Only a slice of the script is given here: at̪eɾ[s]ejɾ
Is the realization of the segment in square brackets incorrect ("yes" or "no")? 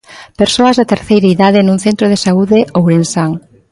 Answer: yes